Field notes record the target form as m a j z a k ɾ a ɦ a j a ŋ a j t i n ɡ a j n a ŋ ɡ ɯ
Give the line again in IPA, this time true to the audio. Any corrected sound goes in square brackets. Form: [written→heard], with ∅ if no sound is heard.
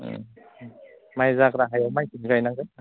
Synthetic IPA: m a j z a k ɾ a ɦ a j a [ŋ→m] a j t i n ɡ a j n a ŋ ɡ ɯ